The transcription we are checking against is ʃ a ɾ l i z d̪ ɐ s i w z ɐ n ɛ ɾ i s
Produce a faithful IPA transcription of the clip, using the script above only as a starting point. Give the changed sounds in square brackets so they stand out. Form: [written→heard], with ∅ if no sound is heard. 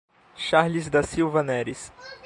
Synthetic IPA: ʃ a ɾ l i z d̪ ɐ s i w [z→v] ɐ n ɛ ɾ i s